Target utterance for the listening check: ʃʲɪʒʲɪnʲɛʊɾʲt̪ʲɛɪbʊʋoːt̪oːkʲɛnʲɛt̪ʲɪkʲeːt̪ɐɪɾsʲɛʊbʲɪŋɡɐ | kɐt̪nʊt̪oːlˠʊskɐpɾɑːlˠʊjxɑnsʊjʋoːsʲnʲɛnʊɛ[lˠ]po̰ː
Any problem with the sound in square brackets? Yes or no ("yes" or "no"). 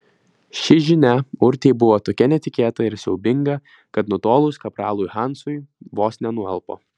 no